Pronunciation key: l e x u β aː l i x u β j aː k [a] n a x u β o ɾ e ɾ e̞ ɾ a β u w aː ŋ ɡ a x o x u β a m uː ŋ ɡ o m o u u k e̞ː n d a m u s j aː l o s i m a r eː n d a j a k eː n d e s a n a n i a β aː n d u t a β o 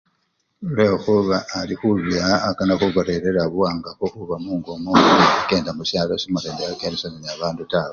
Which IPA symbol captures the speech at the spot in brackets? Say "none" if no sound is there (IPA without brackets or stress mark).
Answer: a